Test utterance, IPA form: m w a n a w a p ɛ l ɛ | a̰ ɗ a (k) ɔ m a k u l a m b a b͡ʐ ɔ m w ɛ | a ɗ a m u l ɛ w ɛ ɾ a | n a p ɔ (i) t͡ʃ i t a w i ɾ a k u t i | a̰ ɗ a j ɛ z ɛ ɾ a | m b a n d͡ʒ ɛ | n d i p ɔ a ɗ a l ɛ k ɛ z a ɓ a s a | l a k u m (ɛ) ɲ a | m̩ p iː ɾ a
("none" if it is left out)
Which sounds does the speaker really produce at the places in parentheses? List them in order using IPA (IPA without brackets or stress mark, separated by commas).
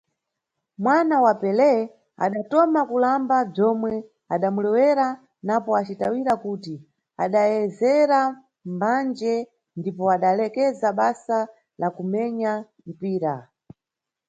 t, a, ɛ